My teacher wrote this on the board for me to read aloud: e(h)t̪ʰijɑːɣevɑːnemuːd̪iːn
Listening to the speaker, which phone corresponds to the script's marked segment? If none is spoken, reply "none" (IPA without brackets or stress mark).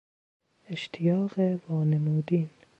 ʃ